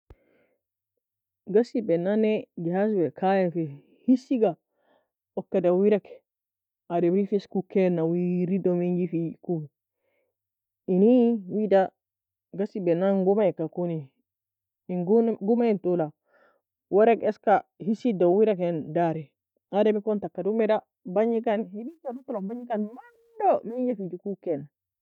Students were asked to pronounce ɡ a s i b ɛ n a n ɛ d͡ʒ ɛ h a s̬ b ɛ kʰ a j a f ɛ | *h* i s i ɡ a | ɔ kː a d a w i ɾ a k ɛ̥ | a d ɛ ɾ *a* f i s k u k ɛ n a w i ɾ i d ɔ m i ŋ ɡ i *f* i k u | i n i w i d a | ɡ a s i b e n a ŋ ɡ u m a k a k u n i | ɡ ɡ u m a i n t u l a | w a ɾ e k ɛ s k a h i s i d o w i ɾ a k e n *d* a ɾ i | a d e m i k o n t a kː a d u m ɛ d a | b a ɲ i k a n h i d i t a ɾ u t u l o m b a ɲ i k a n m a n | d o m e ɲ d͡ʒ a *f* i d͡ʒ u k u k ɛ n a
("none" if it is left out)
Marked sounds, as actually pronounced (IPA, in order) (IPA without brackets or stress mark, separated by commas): h, i, f, d, f